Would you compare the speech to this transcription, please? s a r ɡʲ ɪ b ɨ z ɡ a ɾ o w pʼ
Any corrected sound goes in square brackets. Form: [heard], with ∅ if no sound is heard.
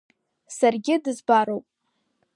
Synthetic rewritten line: s a r ɡʲ ɪ [d] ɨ z [b] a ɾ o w pʼ